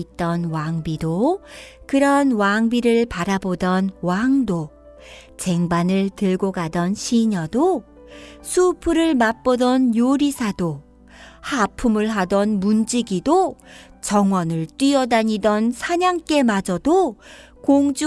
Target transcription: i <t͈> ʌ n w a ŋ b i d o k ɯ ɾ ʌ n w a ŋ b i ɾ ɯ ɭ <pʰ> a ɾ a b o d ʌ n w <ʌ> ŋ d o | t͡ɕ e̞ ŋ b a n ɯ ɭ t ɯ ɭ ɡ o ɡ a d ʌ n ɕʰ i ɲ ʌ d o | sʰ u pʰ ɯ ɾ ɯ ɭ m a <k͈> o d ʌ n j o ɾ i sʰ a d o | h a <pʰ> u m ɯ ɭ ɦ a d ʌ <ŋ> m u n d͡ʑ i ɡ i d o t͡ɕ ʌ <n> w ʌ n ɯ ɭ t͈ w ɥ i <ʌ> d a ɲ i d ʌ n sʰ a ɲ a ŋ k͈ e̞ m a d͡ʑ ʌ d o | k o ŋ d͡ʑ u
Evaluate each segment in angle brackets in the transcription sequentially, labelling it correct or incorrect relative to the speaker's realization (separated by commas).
correct, incorrect, incorrect, incorrect, correct, incorrect, incorrect, correct